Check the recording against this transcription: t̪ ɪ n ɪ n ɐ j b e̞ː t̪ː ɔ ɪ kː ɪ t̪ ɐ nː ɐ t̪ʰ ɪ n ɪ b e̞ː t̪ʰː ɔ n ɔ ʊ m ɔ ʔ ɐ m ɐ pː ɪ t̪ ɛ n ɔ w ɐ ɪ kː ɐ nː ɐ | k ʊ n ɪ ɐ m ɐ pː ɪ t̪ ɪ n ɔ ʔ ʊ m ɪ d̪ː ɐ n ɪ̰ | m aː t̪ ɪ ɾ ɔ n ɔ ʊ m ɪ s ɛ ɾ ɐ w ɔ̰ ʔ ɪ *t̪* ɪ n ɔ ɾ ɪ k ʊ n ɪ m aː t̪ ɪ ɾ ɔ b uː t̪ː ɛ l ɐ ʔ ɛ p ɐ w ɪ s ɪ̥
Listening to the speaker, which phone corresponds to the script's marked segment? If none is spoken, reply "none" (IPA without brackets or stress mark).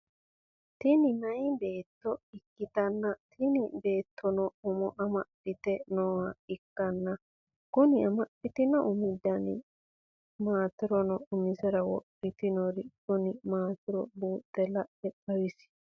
t̪